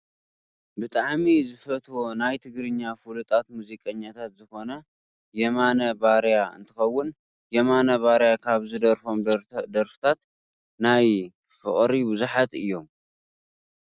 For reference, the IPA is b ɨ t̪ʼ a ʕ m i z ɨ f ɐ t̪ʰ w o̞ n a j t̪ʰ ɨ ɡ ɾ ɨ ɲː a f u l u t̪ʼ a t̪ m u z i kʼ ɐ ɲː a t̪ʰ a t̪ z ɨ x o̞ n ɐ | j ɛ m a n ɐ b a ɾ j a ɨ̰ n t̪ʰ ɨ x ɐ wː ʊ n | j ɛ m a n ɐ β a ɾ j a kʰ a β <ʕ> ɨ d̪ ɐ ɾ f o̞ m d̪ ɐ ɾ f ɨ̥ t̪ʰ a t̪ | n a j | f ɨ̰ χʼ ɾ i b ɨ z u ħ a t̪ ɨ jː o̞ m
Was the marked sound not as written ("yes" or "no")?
yes